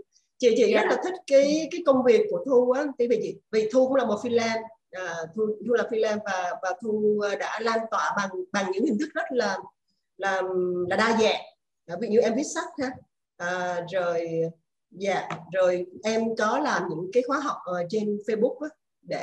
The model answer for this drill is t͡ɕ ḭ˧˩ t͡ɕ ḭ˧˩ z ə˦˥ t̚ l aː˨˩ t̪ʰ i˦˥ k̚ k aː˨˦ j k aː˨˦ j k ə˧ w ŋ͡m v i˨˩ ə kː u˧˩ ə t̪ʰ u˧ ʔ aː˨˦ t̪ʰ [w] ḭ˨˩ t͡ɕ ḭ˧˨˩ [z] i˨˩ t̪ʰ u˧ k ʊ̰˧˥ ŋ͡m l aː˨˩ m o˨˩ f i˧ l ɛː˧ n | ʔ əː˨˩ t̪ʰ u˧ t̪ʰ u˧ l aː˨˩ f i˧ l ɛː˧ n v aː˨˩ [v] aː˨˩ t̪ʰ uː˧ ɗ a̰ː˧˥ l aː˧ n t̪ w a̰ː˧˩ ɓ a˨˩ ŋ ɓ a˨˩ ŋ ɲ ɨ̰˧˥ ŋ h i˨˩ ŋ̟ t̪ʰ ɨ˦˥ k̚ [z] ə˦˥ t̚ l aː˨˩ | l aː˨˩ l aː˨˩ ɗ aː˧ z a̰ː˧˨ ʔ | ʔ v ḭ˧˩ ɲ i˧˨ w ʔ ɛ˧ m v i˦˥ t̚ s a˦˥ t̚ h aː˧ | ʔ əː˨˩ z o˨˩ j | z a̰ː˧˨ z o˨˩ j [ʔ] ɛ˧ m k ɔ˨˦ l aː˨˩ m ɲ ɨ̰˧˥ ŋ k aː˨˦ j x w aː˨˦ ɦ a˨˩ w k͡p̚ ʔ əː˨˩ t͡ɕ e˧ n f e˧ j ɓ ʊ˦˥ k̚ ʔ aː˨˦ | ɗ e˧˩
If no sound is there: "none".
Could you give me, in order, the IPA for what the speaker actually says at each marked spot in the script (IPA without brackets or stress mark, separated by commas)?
v, v, v, z, ʔ